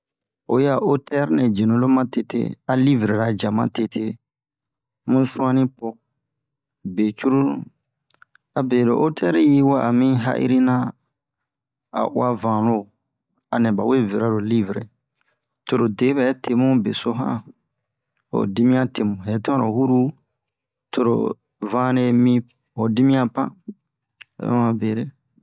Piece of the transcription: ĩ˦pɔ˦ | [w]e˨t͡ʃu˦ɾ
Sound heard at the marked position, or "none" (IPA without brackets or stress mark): b